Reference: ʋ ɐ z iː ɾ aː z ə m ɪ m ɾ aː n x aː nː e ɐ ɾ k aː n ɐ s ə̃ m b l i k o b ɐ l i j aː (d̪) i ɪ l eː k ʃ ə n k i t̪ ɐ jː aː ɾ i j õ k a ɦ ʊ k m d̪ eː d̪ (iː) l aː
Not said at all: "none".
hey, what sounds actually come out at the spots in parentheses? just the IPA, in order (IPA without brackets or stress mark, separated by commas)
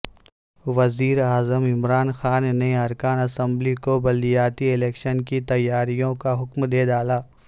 t̪, aː